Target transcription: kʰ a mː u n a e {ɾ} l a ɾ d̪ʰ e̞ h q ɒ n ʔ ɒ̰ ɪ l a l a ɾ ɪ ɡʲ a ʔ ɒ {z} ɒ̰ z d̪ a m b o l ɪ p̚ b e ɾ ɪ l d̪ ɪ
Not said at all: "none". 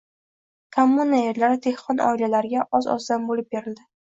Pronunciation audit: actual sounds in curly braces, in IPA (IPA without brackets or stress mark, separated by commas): ɾ, z